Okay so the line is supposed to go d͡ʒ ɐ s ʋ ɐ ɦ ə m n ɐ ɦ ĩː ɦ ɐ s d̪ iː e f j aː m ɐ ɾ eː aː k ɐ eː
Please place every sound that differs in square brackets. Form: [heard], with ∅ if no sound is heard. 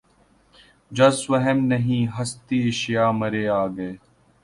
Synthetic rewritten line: d͡ʒ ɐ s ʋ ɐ ɦ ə m n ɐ ɦ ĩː ɦ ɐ s [t̪] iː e [ʃ] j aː m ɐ ɾ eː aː [ɡ] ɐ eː